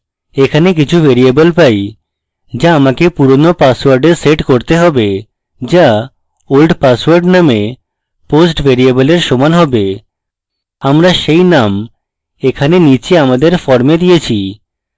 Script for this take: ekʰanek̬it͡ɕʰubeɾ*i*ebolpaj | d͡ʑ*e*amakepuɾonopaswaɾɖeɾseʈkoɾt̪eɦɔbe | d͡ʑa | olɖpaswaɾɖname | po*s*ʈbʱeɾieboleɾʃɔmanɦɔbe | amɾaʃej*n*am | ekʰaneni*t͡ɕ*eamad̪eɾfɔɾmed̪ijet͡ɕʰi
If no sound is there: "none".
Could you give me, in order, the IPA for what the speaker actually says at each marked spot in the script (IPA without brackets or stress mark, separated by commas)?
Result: i, a, s, n, t͡ɕ